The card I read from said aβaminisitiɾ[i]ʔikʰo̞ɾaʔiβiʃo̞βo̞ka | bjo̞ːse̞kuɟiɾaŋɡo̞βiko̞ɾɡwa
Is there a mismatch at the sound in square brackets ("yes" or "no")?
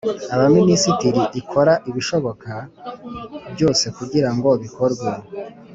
no